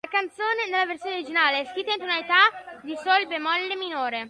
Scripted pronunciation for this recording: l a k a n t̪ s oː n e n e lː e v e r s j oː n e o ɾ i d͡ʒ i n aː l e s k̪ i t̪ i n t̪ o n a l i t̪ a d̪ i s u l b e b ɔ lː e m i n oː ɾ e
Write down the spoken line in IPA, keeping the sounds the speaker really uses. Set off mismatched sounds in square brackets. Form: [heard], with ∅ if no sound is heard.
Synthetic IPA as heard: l a k a n t̪ s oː n e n e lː [a] v e r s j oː n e o ɾ i d͡ʒ i n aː l e s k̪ i t̪ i n t̪ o n a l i t̪ a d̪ i s [o] l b e [m] ɔ lː e m i n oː ɾ e

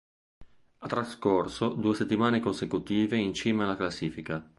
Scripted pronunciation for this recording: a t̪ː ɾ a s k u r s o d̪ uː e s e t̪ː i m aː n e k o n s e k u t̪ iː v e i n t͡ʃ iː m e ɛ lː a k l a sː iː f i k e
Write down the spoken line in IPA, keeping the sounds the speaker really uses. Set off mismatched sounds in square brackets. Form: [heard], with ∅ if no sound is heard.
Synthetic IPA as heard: a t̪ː ɾ a s k [o] r s o d̪ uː e s e t̪ː i m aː n e k o n s e k u t̪ iː v e i n t͡ʃ iː m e [a] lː a k l a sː iː f i k [a]

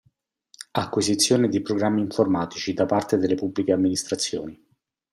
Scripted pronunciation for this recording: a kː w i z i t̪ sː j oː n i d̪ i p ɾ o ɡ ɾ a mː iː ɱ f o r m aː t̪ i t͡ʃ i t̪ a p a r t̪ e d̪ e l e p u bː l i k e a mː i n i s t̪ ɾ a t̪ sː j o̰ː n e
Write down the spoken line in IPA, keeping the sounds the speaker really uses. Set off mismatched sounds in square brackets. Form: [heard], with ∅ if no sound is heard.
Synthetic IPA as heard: a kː w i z i t̪ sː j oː n [e] d̪ i p ɾ o ɡ ɾ a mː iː ɱ f o r m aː t̪ i t͡ʃ i [d̪] a p a r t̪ e d̪ e l e p u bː l i k e a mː i n i s t̪ ɾ a t̪ sː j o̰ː n [i]

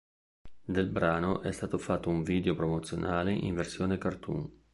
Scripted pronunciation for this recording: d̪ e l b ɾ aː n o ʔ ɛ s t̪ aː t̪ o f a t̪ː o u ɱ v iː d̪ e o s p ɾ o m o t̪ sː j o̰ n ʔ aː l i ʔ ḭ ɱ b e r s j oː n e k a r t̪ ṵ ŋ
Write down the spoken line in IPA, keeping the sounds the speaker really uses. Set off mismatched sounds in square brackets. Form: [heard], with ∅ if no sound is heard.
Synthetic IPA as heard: d̪ e l b ɾ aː n o ʔ ɛ s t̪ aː t̪ o f a t̪ː o u ɱ v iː d̪ e o [∅] p ɾ o m o t̪ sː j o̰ n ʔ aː l [e] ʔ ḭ ɱ [v] e r s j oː n e k a r t̪ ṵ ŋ

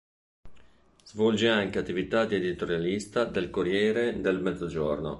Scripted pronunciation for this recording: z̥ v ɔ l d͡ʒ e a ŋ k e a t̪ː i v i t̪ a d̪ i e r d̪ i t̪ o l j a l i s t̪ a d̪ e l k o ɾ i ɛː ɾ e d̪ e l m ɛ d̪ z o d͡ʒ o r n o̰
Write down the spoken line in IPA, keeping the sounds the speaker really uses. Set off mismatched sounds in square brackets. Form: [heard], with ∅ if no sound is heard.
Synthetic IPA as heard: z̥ v ɔ l d͡ʒ e a ŋ k e a t̪ː i v i t̪ a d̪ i e [∅] d̪ i t̪ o [ɾ] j a l i s t̪ a d̪ e l k o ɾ [j] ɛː ɾ e d̪ e l m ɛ d̪ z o d͡ʒ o r n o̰

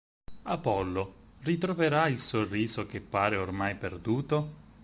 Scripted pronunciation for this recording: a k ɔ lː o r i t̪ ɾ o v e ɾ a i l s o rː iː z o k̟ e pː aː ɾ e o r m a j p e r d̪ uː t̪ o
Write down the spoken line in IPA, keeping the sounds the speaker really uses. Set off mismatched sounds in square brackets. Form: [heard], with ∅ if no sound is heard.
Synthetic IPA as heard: a [p] ɔ lː o r i t̪ ɾ o v e ɾ a i l s o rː iː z o k̟ e pː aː ɾ e o r m a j p e r d̪ uː t̪ o

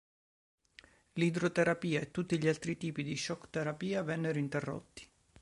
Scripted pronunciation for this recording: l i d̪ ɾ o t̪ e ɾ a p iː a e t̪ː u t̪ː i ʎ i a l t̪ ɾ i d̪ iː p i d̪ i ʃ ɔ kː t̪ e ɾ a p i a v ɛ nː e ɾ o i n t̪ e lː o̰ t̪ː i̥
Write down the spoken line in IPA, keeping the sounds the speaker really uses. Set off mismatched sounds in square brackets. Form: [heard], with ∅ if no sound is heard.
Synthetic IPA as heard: l i d̪ ɾ o t̪ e ɾ a p iː a e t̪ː u t̪ː i ʎ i a l t̪ ɾ i [t̪] iː p i d̪ i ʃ ɔ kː t̪ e ɾ a p [iː] a v ɛ nː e ɾ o i n t̪ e [rː] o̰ t̪ː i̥

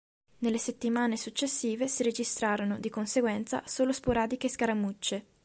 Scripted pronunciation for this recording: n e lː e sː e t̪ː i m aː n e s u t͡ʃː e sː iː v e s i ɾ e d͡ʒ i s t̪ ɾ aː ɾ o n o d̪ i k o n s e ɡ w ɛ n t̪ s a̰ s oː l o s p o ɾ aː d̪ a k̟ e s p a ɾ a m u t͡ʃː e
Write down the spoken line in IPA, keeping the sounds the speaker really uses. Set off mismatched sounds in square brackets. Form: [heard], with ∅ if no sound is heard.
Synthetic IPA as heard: n e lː e [s] e t̪ː i m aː n e s u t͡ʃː e sː iː v e s i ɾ e d͡ʒ i s t̪ ɾ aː ɾ o n o d̪ i k o n s e ɡ w ɛ n t̪ s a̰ s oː l o s p o ɾ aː d̪ [i] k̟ e s [k] a ɾ a m u t͡ʃː e

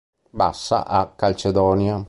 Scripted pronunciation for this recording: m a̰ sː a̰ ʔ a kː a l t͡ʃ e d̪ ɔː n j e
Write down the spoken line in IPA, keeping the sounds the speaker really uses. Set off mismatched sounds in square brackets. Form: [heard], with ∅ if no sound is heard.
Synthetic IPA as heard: [b] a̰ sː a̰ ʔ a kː a l t͡ʃ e d̪ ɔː n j [a]

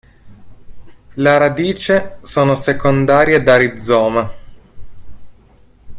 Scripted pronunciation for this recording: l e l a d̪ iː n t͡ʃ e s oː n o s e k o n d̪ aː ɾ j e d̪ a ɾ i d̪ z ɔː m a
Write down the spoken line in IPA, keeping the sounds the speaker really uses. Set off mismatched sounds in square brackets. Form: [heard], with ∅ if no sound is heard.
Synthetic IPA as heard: l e [ɾ] a d̪ iː [∅] t͡ʃ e s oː n o s e k o n d̪ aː ɾ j e d̪ a ɾ i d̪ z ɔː m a

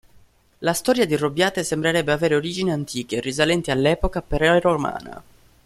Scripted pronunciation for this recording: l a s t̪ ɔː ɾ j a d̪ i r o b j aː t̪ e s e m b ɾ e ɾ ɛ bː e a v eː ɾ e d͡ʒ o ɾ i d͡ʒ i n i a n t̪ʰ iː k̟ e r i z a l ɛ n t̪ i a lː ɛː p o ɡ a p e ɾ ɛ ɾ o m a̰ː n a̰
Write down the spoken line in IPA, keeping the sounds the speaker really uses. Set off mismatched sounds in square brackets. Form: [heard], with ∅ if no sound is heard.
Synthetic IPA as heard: l a s t̪ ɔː ɾ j a d̪ i r o b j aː t̪ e s e m b ɾ e ɾ ɛ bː e a v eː ɾ e [∅] o ɾ i d͡ʒ i n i a n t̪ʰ iː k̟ e r i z a l ɛ n t̪ i a lː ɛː p o [k] a p e ɾ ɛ ɾ o m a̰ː n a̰

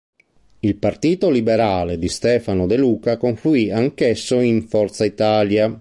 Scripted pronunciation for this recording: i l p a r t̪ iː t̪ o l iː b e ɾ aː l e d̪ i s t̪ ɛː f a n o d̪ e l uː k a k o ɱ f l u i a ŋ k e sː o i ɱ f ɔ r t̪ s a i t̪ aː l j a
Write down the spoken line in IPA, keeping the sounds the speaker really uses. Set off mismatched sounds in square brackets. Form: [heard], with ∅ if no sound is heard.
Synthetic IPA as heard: i l p a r t̪ iː t̪ o l [i] b e ɾ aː l e d̪ i s t̪ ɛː f a n o d̪ e l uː k a k o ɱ f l u i a ŋ k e sː o i ɱ f ɔ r t̪ s a i t̪ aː l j a

